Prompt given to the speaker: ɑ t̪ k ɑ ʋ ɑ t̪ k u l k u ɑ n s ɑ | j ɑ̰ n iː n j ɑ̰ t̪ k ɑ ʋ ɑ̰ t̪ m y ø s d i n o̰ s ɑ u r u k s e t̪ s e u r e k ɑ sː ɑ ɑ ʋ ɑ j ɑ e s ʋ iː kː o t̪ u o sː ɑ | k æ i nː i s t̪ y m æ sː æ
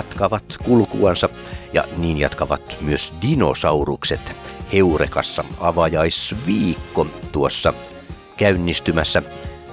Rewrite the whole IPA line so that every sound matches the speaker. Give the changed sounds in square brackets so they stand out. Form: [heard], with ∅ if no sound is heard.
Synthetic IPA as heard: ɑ t̪ k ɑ ʋ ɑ t̪ k u l k u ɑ n s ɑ | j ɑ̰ n iː n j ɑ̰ t̪ k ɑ ʋ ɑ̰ t̪ m y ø s d i n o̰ s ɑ u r u k s e t̪ [h] e u r e k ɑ sː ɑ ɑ ʋ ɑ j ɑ [i] s ʋ iː kː o t̪ u o sː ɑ | k æ [y] nː i s t̪ y m æ sː æ